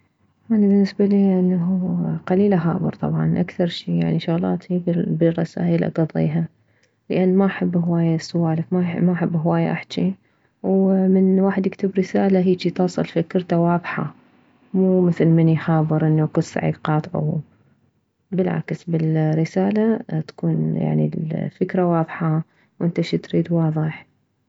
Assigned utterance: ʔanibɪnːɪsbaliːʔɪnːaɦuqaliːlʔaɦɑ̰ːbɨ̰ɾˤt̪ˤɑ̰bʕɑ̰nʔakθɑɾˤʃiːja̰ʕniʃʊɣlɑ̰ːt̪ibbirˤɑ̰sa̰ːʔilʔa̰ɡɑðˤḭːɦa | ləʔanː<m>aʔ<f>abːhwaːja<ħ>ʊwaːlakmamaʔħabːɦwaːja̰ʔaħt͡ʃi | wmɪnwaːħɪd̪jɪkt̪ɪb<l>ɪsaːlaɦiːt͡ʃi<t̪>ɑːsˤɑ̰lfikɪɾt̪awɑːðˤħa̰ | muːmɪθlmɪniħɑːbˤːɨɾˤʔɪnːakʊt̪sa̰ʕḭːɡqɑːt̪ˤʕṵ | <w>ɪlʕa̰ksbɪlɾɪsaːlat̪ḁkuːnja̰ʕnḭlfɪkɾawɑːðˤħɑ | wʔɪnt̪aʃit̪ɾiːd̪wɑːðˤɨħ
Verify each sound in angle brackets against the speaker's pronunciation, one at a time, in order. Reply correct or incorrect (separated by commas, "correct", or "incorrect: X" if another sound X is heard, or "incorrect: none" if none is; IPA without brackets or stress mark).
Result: correct, incorrect: ħ, incorrect: s, incorrect: ɾ, correct, incorrect: b